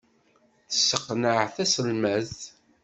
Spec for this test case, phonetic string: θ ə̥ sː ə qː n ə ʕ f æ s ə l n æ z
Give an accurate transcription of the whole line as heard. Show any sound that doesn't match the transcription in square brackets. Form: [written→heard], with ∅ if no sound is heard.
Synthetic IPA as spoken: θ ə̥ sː ə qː n ə ʕ [f→θ] æ s ə l [n→m] æ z